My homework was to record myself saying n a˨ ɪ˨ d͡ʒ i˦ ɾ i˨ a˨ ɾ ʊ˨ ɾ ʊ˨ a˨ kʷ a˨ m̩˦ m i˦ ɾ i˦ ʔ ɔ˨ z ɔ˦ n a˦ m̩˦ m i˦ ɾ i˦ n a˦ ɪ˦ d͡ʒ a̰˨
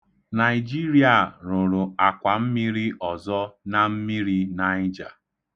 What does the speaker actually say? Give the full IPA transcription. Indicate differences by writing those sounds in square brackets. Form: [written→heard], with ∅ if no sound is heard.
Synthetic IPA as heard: n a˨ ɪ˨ d͡ʒ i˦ ɾ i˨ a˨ ɾ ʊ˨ ɾ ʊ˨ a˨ kʷ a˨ m̩˦ m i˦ ɾ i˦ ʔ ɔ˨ z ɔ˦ n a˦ m̩˦ m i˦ ɾ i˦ n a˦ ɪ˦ d͡ʒ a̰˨